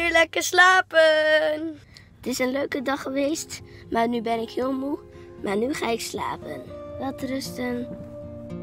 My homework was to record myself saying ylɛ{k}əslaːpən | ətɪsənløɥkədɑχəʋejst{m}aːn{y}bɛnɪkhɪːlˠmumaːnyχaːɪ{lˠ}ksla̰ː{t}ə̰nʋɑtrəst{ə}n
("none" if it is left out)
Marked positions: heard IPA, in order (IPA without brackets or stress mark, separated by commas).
k, m, y, none, p, ə